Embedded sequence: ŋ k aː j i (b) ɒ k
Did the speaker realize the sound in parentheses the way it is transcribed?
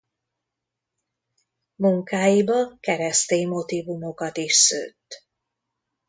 yes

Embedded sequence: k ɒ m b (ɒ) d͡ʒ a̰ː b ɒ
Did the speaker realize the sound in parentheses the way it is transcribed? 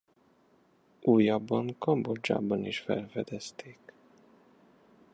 no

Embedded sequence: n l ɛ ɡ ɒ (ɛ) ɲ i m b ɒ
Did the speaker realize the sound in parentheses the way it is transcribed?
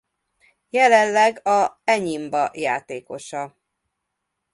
yes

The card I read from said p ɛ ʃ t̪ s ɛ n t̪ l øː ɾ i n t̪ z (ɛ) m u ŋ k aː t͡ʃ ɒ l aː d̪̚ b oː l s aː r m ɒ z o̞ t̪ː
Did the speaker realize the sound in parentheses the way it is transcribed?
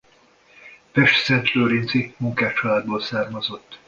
no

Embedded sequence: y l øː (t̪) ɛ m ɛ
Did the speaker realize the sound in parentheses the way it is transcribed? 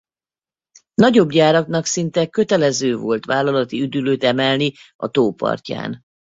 yes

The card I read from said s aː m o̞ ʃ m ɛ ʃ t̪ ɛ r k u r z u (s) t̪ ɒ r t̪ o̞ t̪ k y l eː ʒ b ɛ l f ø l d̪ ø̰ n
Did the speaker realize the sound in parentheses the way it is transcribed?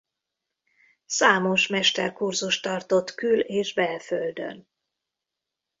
no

